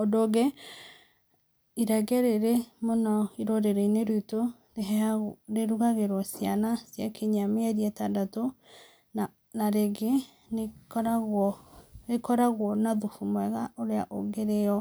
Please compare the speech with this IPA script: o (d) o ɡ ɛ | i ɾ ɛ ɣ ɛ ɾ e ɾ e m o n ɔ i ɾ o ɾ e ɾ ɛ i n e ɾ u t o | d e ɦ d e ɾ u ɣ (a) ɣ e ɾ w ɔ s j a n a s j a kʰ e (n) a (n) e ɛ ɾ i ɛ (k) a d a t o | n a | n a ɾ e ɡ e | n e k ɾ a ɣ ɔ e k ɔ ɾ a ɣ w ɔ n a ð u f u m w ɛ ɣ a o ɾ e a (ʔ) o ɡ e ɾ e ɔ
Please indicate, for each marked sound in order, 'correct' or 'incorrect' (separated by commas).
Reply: correct, correct, incorrect, incorrect, incorrect, correct